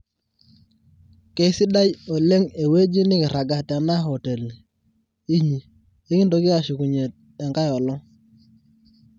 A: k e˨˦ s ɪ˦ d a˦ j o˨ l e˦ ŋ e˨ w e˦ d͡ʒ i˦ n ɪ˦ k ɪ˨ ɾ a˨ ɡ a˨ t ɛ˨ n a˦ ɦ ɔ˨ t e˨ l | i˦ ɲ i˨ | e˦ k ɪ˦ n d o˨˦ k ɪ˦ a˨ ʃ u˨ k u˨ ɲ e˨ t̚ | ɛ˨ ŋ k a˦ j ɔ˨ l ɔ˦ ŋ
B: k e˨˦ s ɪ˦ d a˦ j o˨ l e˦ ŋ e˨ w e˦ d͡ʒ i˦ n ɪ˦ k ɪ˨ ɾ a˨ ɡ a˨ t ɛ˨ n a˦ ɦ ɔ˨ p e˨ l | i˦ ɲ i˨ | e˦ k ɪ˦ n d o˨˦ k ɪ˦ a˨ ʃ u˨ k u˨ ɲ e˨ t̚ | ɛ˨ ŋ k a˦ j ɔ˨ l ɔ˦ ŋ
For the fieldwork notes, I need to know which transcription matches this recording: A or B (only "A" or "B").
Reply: A